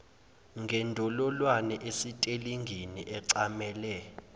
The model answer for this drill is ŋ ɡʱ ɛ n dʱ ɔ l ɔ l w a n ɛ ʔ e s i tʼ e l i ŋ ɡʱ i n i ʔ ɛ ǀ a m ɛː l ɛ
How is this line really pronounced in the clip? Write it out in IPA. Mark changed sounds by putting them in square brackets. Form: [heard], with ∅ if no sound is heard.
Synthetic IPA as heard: ŋ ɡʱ ɛ n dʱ ɔ l ɔ l w a n ɛ ʔ e s i tʼ e l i ŋ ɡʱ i n i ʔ ɛ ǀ a m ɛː l ɛ